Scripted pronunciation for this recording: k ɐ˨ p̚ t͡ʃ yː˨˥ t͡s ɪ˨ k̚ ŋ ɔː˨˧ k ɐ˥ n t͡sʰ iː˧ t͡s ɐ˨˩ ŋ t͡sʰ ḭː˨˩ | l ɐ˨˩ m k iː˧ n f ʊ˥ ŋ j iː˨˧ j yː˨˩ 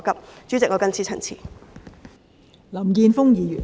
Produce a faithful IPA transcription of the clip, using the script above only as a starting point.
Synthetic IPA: k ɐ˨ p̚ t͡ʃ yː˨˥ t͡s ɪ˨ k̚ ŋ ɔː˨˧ k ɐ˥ n t͡sʰ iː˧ t͡sʰ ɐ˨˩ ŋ t͡sʰ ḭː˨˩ | l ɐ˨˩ m k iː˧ n f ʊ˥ ŋ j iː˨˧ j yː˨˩